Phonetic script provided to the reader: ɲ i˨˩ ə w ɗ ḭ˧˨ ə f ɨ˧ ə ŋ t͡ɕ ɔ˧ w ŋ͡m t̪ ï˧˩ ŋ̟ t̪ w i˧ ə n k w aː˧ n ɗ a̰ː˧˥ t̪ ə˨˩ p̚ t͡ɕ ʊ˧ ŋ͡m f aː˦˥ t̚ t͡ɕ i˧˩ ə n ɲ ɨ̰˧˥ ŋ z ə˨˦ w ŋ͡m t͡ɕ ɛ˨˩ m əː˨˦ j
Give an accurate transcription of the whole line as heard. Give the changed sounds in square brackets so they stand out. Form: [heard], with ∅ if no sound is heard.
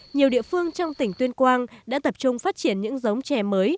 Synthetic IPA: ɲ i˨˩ ə w ɗ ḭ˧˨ ə f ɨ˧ ə ŋ t͡ɕ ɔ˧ w ŋ͡m t̪ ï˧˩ ŋ̟ t̪ w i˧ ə n k w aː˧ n ɗ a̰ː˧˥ t̪ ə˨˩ p̚ t͡ɕ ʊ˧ ŋ͡m f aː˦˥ t̚ t͡ɕ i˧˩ ə n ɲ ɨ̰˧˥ ŋ z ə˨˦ w ŋ͡m t͡ɕ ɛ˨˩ m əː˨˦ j